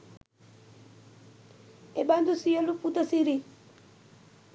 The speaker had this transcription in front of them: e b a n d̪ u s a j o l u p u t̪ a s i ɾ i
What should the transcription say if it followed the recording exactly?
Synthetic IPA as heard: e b a n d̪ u s i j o l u p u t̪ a s i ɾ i

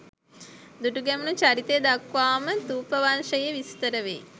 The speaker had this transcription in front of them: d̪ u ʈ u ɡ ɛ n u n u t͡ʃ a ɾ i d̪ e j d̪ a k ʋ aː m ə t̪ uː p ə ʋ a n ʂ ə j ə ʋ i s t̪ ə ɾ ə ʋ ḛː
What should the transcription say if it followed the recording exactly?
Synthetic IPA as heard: d̪ u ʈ u ɡ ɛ m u n u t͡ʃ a ɾ i t̪ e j d̪ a k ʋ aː m ə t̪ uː p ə ʋ a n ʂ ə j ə ʋ i s t̪ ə ɾ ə ʋ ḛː

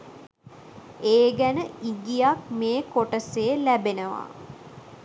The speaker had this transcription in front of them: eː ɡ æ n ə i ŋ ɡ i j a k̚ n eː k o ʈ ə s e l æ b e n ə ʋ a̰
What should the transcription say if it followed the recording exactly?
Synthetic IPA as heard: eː ɡ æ n ə i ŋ ɡ i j a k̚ m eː k o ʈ ə s e l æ b e n ə ʋ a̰

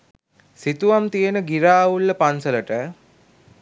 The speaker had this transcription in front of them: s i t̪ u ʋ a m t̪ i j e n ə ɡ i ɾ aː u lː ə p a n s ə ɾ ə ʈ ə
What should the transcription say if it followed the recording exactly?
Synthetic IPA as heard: s i t̪ u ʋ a m t̪ i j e n ə ɡ i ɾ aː u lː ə p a n s ə l ə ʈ ə

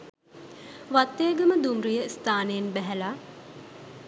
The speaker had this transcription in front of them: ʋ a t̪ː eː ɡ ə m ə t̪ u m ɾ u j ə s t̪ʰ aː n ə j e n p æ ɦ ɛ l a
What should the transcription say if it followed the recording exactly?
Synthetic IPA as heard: ʋ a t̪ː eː ɡ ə m ə d̪ u m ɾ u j ə s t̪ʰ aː n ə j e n b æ ɦ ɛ l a

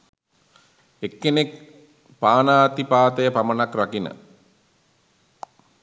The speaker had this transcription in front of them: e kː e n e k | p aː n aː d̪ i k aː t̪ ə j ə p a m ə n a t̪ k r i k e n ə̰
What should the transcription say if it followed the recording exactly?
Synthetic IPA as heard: e kː e n e k | p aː n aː t̪ i p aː t̪ ə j ə p a m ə n a k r a k i n ə̰

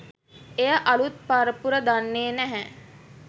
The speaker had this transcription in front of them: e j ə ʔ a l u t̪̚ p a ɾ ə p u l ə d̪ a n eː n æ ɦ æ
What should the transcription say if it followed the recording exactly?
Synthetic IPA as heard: e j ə ʔ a l u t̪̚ p a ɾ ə p u ɾ ə d̪ a nː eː n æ ɦ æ

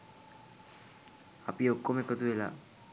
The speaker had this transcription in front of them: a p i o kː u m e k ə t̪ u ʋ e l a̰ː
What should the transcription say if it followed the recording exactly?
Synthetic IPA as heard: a p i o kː o m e k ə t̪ u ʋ e l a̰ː

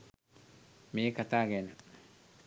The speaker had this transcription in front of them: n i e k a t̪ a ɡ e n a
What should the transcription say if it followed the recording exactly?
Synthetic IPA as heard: m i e k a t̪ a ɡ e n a

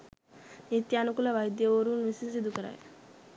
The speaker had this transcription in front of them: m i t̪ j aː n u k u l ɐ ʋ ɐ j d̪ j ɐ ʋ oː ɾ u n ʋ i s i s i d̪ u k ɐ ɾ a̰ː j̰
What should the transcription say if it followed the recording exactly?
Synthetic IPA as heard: n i t̪ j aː n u k u l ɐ ʋ ɐ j d̪ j ɐ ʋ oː ɾ u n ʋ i s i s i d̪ u k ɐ ɾ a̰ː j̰

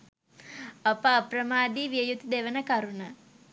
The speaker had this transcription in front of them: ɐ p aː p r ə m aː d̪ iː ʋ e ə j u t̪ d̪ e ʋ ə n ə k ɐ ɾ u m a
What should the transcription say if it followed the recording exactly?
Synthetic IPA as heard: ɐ p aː p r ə m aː d̪ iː ʋ i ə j u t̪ d̪ e ʋ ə n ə k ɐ ɾ u n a

